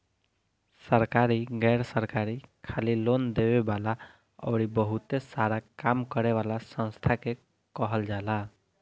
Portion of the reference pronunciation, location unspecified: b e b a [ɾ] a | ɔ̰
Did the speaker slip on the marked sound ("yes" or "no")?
yes